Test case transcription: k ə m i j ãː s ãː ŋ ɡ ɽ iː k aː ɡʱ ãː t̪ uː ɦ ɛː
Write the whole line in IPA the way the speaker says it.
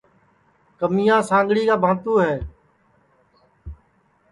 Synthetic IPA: k ə m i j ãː s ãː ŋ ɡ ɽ iː k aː bʱ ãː t̪ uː ɦ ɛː